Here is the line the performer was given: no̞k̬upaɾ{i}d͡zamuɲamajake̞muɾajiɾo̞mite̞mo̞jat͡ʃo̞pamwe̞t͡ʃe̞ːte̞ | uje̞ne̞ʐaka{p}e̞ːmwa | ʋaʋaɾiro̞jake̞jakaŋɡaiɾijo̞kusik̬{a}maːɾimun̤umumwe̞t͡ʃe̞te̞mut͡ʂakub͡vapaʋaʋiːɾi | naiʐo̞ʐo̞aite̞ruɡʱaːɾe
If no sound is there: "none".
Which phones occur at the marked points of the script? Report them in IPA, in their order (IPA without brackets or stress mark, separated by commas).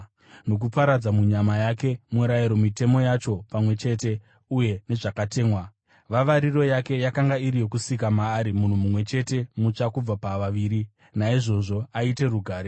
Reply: a, t, a